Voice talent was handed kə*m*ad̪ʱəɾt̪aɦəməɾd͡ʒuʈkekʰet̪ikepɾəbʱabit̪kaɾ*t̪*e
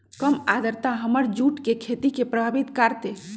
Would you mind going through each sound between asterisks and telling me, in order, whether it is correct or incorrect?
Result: correct, correct

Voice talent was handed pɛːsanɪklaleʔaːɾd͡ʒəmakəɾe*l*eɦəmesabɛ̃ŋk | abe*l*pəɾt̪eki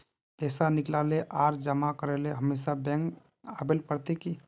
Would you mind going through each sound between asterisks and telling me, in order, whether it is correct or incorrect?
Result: correct, correct

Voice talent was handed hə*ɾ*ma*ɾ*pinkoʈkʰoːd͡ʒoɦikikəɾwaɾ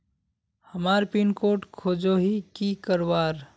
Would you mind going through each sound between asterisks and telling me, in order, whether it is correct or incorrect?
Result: incorrect: none, correct

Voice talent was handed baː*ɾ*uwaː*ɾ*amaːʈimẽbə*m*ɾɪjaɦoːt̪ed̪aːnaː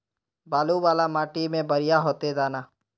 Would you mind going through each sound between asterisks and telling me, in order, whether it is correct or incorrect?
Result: incorrect: l, incorrect: l, incorrect: none

